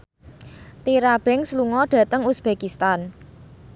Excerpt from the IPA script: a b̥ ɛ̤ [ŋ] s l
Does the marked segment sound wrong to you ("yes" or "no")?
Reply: no